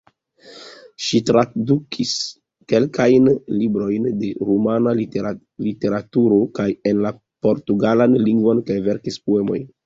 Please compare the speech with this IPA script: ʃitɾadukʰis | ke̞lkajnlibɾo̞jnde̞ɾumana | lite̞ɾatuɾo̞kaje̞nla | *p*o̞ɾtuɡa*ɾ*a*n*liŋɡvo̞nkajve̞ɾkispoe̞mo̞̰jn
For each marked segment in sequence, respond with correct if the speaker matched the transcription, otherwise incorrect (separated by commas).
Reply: correct, incorrect, correct